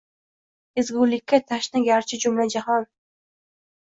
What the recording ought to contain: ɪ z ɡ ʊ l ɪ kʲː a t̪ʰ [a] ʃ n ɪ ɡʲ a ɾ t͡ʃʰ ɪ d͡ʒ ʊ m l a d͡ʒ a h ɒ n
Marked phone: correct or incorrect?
correct